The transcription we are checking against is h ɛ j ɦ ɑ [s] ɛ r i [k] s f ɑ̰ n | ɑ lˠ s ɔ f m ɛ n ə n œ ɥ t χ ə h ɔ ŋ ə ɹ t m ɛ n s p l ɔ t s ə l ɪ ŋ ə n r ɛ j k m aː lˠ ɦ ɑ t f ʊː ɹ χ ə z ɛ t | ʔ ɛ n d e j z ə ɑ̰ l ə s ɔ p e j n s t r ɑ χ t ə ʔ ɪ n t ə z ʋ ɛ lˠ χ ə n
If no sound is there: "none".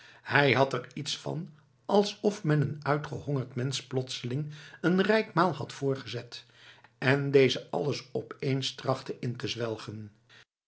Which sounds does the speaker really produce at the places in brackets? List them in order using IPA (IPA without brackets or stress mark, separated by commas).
t, t